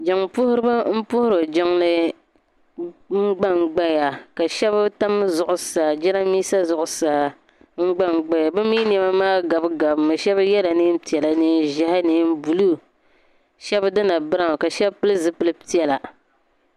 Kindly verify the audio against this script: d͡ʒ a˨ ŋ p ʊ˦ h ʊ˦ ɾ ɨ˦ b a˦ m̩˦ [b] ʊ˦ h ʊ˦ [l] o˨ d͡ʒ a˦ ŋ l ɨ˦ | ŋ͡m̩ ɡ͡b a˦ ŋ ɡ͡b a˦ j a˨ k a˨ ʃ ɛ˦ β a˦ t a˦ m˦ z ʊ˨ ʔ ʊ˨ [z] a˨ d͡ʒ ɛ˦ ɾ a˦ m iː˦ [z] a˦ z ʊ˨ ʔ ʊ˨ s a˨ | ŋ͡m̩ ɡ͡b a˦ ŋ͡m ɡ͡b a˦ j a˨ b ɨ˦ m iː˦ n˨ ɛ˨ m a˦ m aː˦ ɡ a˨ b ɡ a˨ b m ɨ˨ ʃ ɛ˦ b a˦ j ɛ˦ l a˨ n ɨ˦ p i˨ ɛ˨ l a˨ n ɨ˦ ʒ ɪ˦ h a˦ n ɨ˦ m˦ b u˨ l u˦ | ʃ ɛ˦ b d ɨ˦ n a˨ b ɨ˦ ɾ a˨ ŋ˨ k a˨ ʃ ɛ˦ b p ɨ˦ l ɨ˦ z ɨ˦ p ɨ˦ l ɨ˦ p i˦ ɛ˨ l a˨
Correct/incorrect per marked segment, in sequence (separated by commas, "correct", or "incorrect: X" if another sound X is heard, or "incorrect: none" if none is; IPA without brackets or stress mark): incorrect: p, incorrect: ɾ, incorrect: s, incorrect: s